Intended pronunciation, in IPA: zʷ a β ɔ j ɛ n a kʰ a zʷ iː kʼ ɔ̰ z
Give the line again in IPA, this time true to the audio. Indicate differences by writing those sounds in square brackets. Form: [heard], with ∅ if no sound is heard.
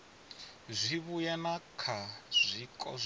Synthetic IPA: zʷ [i] β [u] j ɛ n a kʰ a zʷ [i] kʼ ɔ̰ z